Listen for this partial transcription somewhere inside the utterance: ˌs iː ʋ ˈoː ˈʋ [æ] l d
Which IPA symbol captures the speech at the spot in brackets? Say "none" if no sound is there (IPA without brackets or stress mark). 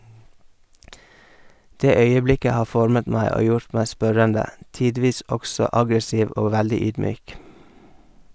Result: æ